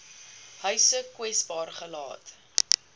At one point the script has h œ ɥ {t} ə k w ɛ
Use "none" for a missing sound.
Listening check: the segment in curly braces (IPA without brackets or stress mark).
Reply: s